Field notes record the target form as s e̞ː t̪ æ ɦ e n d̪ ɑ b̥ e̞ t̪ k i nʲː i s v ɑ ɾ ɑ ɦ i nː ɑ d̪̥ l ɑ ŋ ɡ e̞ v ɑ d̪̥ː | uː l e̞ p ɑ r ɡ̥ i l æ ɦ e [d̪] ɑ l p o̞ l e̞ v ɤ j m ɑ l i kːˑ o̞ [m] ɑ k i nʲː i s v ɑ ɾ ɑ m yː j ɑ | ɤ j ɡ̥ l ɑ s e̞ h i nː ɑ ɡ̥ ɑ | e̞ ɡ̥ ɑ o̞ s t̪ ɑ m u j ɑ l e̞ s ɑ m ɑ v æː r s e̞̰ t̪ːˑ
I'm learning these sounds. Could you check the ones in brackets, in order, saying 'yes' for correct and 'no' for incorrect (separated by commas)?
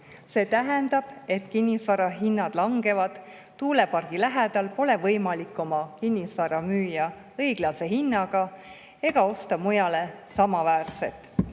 yes, yes